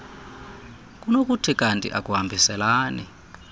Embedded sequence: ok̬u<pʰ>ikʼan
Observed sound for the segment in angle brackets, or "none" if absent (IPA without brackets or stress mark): tʰ